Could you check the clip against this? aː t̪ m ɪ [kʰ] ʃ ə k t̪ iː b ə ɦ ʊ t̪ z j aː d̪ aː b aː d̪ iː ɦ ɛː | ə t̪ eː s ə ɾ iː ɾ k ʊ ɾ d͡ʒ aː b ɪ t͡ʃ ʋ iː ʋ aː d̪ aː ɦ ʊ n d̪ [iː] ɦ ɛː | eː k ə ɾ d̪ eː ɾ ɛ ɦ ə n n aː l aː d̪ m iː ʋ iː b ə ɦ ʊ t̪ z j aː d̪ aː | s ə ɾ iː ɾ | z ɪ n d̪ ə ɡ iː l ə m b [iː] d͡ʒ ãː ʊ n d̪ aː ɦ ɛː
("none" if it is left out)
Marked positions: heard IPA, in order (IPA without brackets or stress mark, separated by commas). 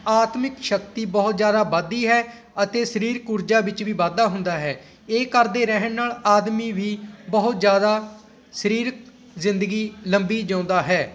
k, aː, iː